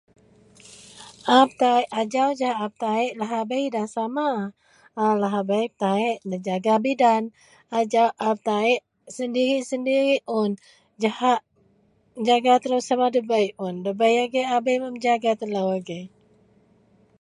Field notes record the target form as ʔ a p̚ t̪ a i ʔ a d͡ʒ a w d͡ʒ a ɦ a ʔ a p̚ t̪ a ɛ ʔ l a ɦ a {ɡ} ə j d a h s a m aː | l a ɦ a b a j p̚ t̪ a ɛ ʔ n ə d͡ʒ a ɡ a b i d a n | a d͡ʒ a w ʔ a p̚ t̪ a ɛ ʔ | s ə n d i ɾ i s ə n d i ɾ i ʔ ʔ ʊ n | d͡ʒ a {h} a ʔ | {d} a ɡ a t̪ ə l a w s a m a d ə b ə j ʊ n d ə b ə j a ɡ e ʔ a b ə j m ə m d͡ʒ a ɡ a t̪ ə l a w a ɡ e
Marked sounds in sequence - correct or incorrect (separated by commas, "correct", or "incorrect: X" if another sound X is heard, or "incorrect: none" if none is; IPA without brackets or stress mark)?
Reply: incorrect: b, correct, incorrect: d͡ʒ